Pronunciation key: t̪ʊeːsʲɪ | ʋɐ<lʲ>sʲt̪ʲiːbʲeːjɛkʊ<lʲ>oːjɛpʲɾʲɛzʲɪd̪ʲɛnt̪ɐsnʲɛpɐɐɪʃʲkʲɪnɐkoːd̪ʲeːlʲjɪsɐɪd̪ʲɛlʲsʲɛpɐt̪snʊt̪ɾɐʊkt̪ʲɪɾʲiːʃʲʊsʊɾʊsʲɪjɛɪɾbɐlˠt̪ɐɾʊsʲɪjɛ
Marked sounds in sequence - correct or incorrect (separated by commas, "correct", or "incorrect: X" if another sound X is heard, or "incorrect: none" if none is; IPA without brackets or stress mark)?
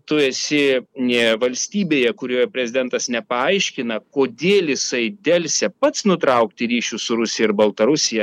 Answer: correct, incorrect: ɾʲ